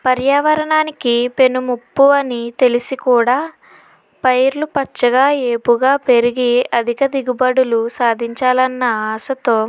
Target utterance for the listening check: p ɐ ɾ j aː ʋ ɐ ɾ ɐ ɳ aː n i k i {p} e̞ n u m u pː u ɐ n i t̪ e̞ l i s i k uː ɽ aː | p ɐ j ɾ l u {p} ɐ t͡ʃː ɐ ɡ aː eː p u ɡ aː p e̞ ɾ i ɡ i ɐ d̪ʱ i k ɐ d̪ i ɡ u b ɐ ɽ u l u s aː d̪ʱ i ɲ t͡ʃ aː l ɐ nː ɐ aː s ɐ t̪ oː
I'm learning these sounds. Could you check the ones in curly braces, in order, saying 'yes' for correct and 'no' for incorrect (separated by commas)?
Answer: yes, yes